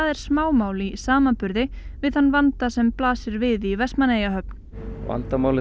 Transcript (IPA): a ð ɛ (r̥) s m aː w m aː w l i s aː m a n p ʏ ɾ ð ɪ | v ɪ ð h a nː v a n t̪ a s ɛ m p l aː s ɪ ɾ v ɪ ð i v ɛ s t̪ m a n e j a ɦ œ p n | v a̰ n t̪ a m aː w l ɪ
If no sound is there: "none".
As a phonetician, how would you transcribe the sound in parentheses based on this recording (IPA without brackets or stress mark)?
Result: ɾ̥